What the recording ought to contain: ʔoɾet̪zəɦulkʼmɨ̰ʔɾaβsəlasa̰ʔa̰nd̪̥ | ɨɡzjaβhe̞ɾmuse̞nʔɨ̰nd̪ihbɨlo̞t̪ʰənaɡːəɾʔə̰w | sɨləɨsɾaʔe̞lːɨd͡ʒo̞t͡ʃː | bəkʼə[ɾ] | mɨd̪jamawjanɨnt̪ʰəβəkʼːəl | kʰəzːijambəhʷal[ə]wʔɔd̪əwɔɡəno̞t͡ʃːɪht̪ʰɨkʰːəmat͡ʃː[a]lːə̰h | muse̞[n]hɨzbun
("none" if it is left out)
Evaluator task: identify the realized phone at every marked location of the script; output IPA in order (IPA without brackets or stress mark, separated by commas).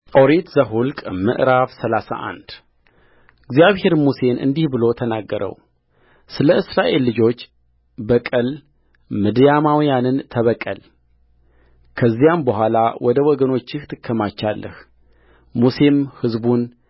l, a, a, m